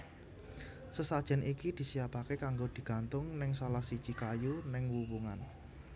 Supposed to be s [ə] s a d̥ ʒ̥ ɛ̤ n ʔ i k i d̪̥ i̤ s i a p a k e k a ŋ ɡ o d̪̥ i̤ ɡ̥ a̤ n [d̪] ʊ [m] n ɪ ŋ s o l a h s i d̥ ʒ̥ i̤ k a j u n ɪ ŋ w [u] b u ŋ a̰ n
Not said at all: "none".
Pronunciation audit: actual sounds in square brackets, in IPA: ə, t̪, ŋ, u

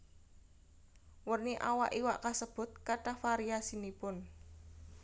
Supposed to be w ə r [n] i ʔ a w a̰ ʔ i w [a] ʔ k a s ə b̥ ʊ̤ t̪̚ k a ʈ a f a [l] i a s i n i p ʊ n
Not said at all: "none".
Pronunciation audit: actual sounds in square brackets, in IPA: n, a, ɾ

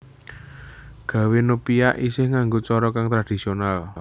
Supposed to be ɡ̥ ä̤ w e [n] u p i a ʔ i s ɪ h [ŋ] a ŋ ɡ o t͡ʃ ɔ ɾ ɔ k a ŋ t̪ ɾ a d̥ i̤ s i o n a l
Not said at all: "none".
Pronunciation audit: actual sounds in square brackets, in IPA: n, ŋ

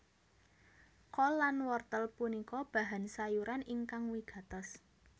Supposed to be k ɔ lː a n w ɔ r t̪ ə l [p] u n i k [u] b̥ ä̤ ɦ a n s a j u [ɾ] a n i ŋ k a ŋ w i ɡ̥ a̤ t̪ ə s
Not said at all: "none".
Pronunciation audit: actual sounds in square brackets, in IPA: p, ɔ, ɾ

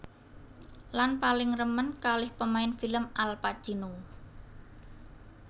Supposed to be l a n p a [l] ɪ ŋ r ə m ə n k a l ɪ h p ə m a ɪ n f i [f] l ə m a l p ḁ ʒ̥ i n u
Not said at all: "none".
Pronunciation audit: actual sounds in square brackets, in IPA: l, none

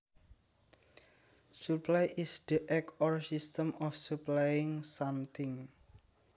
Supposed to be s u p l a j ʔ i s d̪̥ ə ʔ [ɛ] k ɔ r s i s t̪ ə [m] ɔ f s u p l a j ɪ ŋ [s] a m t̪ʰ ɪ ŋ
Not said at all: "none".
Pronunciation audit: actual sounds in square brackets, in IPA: ɛ, m, s

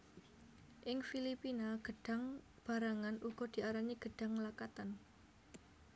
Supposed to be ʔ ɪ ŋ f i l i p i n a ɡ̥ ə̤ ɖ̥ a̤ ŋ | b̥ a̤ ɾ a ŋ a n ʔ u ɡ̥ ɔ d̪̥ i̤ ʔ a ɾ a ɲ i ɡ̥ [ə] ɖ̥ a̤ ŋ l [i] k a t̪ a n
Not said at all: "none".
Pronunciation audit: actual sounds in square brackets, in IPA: ə, a

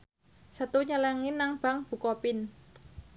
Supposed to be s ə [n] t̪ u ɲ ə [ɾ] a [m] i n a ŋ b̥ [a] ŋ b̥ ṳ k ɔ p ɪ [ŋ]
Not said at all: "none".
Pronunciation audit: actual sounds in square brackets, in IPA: none, l, ŋ, a, n

